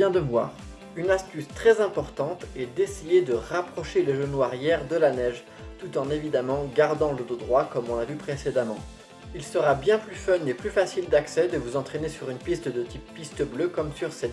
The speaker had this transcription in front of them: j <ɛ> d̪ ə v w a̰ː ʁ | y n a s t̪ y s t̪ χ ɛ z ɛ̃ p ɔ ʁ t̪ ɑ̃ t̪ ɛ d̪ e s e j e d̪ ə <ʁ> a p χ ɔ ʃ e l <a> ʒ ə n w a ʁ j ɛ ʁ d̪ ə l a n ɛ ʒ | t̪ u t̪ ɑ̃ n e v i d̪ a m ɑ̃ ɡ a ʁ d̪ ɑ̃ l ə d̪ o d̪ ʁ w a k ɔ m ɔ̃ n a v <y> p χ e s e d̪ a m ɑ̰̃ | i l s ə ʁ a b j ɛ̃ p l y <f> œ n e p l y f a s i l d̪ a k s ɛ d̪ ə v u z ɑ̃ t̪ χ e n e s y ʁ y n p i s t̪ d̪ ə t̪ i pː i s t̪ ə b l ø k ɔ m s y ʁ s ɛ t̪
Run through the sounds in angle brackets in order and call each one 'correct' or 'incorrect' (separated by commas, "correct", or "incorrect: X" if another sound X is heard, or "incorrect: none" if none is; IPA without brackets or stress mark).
incorrect: ɛ̃, correct, incorrect: e, correct, correct